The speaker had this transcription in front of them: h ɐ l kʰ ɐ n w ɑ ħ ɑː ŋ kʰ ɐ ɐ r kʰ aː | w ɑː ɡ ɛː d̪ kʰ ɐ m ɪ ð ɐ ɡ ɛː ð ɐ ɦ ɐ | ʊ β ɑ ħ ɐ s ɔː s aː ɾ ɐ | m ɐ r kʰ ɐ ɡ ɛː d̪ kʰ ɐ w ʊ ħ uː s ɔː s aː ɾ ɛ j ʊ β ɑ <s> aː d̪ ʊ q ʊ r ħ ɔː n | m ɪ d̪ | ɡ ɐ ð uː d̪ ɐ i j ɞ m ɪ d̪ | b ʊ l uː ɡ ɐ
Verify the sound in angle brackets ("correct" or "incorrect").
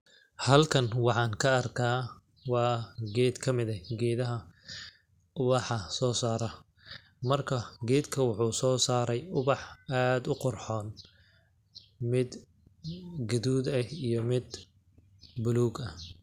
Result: incorrect